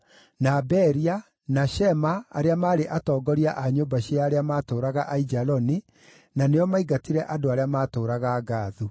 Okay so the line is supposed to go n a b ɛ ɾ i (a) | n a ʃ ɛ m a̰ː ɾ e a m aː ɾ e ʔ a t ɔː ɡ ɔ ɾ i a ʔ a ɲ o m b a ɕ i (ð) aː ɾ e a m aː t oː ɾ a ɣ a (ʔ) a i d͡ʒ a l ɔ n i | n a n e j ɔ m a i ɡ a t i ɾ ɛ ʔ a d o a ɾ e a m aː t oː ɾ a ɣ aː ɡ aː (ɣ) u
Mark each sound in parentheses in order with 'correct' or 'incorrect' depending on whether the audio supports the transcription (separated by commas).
correct, incorrect, correct, incorrect